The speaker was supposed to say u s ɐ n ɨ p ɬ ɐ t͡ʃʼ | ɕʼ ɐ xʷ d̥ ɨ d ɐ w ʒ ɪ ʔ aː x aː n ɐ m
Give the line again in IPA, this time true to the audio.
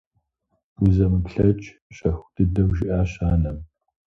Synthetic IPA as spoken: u z ɐ m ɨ p ɬ ɐ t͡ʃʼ | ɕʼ ɐ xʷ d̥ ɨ d ɐ w ʒ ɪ ʔ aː ɕ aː n ɐ m